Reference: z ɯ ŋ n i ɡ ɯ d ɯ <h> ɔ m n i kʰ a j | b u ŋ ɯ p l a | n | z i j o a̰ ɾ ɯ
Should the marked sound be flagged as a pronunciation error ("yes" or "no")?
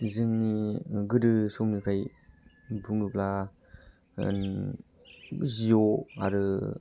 yes